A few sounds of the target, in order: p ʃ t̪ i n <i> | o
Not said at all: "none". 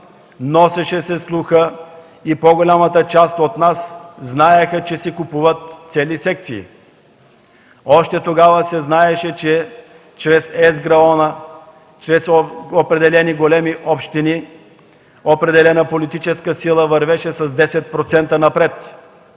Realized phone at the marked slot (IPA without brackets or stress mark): i